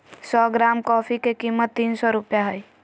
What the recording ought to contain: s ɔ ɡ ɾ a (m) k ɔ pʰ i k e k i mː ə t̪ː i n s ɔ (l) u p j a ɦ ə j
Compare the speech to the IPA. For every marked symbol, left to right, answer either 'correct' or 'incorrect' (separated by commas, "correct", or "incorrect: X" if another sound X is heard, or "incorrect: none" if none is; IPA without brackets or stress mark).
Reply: correct, incorrect: ɾ